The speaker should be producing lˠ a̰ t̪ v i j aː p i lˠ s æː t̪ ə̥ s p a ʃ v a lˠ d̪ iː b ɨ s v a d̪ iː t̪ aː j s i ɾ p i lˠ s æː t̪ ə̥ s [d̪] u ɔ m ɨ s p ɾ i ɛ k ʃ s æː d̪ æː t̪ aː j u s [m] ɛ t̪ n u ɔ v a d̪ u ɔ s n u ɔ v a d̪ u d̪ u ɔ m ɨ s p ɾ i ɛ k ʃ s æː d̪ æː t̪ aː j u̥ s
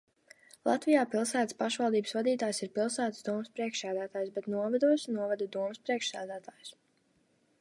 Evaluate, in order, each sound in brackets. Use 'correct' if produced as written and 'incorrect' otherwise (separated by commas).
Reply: correct, incorrect